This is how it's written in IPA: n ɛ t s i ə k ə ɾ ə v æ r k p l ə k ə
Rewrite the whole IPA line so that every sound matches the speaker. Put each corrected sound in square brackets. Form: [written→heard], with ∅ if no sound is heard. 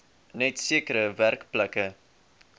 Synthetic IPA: n ɛ t s i ə k ə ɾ ə v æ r k p l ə k ə